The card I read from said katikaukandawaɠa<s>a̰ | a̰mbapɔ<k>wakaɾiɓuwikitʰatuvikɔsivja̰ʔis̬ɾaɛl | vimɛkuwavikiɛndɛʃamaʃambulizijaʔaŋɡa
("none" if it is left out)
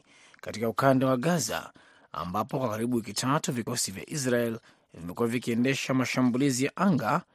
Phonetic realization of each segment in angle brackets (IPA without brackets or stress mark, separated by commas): z, k